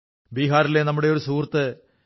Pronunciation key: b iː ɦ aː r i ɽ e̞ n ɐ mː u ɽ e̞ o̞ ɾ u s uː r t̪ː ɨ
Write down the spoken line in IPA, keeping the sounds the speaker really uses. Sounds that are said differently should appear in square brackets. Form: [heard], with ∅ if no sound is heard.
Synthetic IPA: b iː ɦ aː [ɾ] i [l] e̞ n ɐ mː u ɽ e̞ o̞ ɾ u s uː r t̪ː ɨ